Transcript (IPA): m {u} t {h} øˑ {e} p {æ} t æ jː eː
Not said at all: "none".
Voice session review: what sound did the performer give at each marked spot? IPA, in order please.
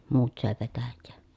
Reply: uː, s, e, e

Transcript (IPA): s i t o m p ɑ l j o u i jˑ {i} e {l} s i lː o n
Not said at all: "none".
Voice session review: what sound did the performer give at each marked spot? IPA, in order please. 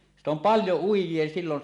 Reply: i, none

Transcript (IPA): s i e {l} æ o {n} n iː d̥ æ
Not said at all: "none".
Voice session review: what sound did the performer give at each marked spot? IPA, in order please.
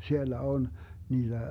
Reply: lː, n

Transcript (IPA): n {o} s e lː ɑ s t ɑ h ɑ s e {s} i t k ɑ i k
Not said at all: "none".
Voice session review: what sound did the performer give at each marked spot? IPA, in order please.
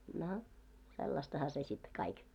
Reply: o, s

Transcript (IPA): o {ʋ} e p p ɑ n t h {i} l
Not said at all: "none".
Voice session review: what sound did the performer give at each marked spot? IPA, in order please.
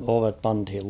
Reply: ʋ, i

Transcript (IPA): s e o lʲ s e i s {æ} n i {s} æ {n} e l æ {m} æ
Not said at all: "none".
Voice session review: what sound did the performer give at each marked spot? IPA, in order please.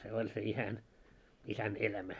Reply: æ, s, n, m

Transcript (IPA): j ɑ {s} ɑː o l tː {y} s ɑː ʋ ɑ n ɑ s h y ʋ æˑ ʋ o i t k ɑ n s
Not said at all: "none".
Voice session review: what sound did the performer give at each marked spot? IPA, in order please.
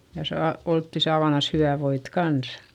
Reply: s, i

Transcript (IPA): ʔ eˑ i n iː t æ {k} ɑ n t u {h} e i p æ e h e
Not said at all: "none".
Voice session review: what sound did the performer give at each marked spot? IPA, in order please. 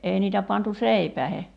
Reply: p, s

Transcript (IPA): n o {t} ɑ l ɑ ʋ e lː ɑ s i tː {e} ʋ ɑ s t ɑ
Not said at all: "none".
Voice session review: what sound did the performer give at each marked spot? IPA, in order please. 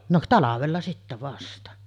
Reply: t, æ

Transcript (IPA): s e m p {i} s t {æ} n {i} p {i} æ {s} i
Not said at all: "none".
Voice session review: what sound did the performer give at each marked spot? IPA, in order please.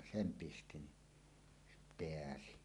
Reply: i, i, i, e, s

